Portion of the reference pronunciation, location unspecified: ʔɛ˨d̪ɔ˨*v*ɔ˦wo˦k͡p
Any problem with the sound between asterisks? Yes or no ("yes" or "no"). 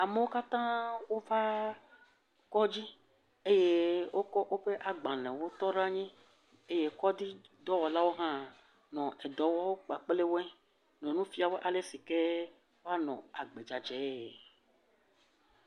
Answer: yes